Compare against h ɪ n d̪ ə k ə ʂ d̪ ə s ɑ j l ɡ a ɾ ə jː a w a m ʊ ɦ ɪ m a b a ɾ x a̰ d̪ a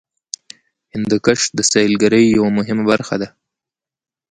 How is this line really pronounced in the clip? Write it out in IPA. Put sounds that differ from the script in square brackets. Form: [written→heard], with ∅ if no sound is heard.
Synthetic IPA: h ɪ n d̪ ə k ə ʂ d̪ ə s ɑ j l ɡ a ɾ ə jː a w a m ʊ ɦ ɪ m a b a ɾ x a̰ d̪ a